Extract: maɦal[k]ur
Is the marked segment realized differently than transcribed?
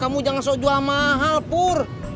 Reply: yes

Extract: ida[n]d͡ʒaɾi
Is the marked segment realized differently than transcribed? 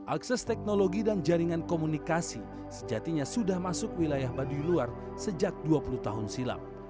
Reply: no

